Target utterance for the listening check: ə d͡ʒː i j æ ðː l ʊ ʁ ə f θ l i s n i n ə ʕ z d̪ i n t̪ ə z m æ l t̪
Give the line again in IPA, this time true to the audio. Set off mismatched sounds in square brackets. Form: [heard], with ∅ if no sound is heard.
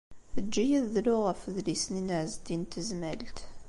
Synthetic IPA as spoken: ə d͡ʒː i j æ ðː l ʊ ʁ ə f [ð] l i s n i n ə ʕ z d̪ i n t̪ ə z m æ l t̪